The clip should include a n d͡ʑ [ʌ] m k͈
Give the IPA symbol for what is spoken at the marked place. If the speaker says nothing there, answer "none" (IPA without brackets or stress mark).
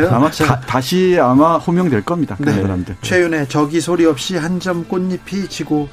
ʌ